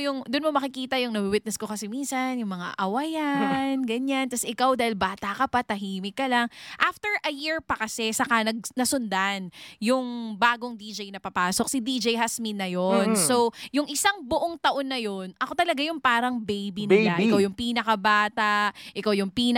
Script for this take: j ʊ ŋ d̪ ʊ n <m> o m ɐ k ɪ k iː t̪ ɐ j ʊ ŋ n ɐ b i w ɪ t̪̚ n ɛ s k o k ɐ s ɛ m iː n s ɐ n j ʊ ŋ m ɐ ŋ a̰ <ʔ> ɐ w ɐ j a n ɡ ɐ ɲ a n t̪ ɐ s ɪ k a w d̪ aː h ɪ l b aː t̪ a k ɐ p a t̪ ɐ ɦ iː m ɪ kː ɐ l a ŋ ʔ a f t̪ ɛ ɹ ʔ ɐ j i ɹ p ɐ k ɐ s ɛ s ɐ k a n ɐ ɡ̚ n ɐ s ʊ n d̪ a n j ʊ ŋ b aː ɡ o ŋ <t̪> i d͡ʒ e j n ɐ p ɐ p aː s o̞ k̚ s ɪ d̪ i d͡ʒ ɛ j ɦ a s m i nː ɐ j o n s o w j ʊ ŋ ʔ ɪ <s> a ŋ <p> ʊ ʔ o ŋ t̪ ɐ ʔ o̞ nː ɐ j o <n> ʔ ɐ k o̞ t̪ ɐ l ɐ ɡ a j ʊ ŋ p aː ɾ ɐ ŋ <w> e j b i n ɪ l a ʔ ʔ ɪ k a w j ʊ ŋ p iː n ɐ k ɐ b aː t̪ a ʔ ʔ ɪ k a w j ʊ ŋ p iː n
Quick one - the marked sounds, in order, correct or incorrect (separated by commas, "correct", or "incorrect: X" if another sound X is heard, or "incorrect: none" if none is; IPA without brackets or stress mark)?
correct, correct, incorrect: d̪, correct, incorrect: b, correct, incorrect: b